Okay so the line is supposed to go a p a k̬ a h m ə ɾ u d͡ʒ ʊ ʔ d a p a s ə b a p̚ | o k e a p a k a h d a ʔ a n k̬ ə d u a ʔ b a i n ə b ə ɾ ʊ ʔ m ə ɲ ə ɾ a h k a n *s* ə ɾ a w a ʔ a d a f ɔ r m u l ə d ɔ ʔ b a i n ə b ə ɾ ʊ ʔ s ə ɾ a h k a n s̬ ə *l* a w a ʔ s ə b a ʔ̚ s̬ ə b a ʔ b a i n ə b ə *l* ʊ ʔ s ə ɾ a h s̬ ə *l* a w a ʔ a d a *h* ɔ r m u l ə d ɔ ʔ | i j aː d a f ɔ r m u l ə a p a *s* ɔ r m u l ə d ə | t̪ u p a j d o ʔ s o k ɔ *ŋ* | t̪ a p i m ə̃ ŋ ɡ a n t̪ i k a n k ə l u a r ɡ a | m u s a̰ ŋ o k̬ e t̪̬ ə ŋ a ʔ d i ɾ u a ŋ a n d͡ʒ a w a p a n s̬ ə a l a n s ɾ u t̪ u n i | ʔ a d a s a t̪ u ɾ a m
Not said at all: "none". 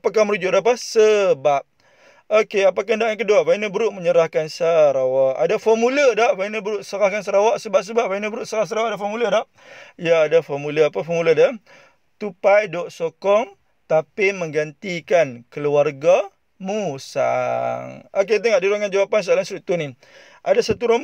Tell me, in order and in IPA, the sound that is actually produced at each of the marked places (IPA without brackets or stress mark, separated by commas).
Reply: s, ɾ, ɾ, ɾ, f, f, ŋ